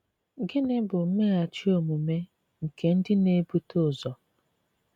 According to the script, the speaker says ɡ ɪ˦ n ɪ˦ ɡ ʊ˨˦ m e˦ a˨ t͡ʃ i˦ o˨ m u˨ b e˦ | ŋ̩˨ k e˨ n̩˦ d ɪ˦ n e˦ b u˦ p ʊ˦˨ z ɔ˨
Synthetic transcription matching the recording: ɡ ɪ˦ n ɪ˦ b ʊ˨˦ m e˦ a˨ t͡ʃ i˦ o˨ m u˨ m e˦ | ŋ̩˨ k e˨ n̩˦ d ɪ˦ n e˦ b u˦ t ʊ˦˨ z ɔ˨